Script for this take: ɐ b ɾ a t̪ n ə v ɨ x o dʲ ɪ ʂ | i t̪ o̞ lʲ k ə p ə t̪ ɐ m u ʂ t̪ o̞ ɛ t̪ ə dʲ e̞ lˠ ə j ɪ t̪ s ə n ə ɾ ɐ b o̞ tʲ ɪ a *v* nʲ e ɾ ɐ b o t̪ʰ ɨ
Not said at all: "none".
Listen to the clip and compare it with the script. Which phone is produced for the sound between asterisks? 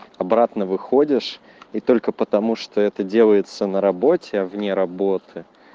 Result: v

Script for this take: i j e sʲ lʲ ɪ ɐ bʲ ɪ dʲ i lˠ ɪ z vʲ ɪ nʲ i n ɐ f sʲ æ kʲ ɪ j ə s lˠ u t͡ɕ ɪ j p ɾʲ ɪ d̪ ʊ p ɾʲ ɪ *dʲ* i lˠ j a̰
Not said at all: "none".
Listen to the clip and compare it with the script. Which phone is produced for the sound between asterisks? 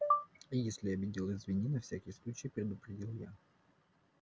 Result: dʲ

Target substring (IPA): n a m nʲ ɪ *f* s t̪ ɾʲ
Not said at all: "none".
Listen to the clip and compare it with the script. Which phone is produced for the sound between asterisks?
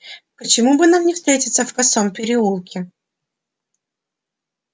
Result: f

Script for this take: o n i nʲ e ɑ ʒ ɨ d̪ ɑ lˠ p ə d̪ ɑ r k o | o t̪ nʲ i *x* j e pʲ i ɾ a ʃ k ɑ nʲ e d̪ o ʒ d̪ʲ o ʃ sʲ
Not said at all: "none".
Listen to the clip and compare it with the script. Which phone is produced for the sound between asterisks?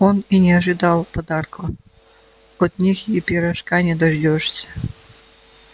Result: x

